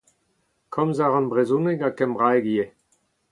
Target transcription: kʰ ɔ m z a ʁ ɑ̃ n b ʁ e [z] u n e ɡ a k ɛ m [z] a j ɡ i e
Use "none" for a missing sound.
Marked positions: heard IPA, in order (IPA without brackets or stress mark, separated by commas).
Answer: z, ʁ